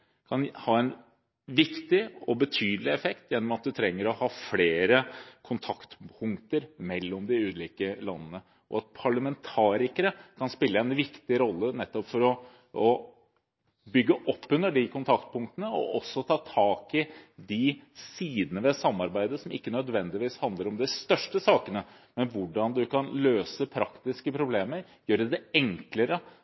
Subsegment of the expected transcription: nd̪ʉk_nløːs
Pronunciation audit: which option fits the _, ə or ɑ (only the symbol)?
ɑ